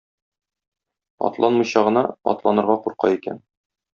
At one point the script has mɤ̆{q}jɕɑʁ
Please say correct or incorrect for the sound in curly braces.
incorrect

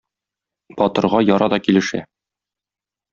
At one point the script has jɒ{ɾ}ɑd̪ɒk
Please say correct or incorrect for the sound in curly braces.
correct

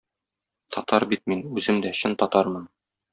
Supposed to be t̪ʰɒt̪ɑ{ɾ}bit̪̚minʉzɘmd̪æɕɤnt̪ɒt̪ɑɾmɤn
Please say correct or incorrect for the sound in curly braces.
correct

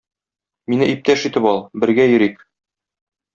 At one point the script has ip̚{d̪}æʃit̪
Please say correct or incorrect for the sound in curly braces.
incorrect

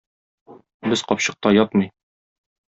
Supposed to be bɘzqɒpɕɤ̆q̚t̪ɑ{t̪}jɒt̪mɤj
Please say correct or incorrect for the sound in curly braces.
incorrect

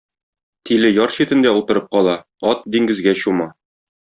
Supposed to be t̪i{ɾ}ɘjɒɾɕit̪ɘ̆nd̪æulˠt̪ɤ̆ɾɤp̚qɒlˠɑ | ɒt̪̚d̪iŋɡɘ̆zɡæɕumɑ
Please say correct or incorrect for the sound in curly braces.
incorrect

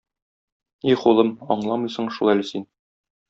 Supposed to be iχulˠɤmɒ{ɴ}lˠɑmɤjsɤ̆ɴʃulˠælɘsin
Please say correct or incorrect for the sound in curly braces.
correct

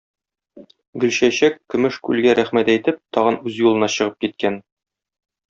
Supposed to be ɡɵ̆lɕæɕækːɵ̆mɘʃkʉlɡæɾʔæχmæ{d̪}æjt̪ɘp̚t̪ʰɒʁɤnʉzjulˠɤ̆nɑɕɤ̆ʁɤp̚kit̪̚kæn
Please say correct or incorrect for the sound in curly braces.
incorrect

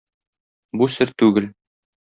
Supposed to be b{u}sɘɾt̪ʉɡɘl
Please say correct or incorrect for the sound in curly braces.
correct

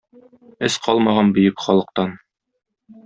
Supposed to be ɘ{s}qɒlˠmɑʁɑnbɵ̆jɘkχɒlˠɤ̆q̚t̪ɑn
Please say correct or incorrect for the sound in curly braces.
correct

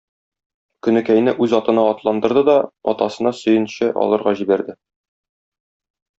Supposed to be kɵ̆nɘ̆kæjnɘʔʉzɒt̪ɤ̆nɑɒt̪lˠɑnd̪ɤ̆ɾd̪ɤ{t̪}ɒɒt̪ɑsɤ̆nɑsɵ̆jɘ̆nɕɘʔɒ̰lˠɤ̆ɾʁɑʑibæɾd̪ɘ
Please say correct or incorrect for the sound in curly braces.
incorrect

